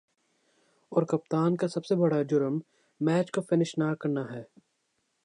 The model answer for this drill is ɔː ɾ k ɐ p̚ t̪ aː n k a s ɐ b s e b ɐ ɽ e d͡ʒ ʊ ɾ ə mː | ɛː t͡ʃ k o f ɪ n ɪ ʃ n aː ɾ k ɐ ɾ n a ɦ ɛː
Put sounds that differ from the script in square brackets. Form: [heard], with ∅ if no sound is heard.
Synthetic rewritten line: ɔː ɾ k ɐ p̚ t̪ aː n k a s ɐ b s e b ɐ ɽ [a] d͡ʒ ʊ ɾ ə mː | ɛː t͡ʃ k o f ɪ n ɪ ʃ n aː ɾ k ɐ ɾ n a ɦ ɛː